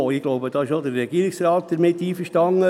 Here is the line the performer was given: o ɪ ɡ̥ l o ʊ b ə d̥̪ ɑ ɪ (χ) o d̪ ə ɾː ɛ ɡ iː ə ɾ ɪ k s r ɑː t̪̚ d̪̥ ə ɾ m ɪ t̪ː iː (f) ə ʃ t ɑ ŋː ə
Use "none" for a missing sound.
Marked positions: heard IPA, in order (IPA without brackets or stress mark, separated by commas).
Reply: ʃ, f